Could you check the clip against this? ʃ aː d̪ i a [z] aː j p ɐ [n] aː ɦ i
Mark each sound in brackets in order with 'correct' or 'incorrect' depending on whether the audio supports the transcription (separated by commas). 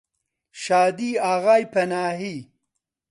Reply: incorrect, correct